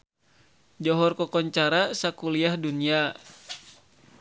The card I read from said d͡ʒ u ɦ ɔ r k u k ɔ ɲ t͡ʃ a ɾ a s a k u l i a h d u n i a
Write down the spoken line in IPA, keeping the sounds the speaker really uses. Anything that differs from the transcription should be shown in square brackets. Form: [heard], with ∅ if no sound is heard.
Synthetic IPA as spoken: d͡ʒ [ɔ] ɦ ɔ r k [ɔ] k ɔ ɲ t͡ʃ a ɾ a s a k u l i a h d u n i a